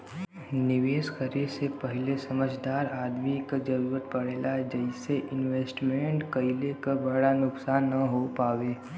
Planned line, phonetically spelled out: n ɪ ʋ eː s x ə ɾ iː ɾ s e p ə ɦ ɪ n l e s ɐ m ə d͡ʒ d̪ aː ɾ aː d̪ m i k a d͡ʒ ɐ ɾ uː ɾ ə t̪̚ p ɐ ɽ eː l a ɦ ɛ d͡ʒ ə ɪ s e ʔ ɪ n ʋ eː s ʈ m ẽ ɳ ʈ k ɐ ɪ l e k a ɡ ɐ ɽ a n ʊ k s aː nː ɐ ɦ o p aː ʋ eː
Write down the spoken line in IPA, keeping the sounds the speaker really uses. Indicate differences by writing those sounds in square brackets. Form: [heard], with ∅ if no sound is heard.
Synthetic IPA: n ɪ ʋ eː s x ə ɾ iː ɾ s e p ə ɦ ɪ [∅] l e s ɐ m ə d͡ʒ d̪ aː ɾ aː d̪ m i k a d͡ʒ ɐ ɾ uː ɾ ə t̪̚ p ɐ ɽ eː l a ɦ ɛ d͡ʒ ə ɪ s e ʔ ɪ n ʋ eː s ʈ m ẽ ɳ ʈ k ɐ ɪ l e k a [b] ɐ ɽ a n ʊ k s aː nː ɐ ɦ o p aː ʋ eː